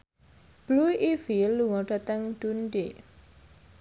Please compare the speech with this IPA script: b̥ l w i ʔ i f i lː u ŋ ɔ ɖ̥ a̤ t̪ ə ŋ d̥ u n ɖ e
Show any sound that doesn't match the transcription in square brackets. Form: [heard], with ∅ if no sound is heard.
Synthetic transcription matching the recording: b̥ l [u] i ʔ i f i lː u ŋ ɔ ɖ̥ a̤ t̪ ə ŋ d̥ u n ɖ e